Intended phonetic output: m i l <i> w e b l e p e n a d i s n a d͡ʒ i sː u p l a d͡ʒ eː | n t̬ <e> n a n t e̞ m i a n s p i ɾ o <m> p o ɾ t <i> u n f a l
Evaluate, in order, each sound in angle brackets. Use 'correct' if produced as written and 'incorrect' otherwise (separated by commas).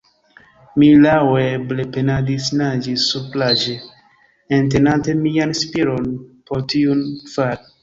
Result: incorrect, correct, incorrect, correct